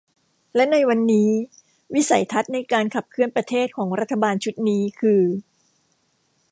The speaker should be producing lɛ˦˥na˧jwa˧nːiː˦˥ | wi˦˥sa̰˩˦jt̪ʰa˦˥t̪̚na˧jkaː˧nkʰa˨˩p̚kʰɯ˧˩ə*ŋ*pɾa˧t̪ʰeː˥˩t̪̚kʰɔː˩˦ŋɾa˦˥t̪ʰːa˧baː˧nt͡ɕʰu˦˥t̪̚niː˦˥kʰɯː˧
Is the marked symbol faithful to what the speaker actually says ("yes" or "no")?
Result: no